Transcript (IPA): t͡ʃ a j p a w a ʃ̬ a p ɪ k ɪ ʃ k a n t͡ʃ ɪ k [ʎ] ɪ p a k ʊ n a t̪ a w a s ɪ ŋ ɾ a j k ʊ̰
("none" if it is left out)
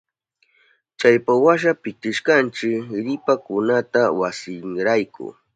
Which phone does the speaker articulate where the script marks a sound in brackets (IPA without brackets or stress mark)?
ɾ